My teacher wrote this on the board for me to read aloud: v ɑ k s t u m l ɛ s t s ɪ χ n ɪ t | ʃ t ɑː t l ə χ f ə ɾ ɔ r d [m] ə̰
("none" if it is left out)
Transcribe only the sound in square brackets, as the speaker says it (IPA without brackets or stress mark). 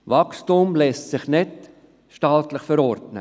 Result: n